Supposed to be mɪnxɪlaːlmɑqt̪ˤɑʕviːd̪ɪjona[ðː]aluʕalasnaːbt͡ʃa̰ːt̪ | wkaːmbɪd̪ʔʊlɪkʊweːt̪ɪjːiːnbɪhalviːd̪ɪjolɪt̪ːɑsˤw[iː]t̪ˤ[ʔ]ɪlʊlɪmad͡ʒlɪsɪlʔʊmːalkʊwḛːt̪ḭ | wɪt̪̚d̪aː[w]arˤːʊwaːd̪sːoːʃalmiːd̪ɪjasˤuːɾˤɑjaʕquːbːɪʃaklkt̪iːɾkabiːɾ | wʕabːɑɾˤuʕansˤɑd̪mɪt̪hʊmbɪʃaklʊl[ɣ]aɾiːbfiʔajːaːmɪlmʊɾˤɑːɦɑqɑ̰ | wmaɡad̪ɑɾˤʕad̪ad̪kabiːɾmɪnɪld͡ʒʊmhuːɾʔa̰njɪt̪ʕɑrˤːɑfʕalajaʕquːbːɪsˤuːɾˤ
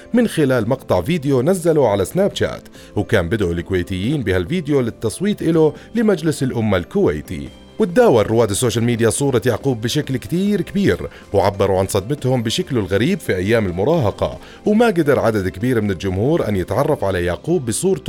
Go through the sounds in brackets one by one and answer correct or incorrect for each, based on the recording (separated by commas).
incorrect, correct, correct, correct, correct